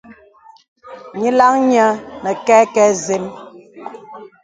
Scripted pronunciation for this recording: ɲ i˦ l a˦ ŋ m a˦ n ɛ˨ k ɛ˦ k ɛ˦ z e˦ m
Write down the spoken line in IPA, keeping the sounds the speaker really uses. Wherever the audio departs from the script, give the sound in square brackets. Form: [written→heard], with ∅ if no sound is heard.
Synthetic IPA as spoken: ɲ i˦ l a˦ ŋ [m→ɲ] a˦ n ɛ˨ k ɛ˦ k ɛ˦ z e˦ m

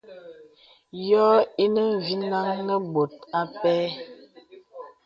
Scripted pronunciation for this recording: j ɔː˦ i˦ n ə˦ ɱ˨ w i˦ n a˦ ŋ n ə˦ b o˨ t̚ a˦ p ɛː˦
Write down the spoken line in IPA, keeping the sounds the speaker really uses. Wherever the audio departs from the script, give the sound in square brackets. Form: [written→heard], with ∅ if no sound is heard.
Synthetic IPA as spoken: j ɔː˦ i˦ n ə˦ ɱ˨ [w→v] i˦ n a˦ ŋ n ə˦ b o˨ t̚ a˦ p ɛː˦

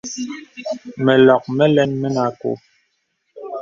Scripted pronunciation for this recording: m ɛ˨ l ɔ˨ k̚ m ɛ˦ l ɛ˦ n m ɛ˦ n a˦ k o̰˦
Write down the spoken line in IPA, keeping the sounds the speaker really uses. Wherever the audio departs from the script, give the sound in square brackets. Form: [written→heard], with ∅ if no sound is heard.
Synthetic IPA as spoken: m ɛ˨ l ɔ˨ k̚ m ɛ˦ l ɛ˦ n m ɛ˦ n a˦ k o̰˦

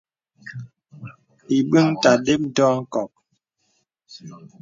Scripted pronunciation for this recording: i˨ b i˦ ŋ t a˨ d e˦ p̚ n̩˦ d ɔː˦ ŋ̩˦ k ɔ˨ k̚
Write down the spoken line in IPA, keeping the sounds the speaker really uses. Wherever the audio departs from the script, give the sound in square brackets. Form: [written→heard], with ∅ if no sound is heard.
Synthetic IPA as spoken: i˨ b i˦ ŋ t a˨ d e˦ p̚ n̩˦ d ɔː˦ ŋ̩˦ k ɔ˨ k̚

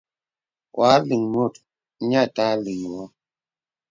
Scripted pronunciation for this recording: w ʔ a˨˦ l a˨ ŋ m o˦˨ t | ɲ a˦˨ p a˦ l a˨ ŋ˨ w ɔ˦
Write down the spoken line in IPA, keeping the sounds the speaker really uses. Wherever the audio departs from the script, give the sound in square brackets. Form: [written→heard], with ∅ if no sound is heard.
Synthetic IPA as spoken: w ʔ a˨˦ l [a˨→i˨] ŋ m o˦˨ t | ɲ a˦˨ [p→t] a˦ l [a˨→i˨] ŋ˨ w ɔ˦

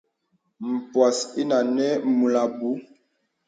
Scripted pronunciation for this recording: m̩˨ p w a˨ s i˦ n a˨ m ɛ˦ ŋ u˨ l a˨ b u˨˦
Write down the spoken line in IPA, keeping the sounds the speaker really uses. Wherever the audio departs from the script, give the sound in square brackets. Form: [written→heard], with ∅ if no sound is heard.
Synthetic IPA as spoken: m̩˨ p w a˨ s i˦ n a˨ [m→n] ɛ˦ [ŋ→m] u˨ l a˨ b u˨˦

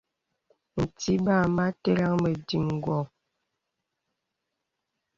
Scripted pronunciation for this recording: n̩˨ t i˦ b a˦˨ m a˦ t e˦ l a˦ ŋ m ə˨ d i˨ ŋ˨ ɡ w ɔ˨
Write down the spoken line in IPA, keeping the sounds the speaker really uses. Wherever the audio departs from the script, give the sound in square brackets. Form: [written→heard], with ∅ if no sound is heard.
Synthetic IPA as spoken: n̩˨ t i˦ b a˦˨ m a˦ t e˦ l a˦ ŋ m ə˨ d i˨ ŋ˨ ɡ w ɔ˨

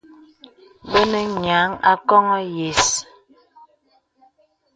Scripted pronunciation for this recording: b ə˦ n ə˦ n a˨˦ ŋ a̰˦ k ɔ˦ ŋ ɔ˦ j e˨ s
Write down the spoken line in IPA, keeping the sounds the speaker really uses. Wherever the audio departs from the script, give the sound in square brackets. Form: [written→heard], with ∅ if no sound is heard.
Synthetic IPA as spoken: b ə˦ n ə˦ [n→ɲ] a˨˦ ŋ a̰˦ k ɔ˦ ŋ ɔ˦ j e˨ s

